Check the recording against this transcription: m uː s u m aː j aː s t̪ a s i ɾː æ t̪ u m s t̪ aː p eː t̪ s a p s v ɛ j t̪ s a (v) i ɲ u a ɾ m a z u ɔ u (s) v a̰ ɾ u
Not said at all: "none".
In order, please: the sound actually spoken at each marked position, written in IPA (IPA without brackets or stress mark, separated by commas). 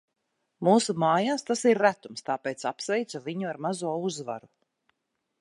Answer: v, z